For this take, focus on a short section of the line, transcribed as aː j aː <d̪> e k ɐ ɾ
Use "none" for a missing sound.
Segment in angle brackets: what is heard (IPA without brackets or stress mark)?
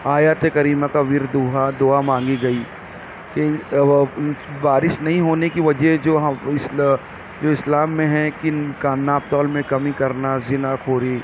t̪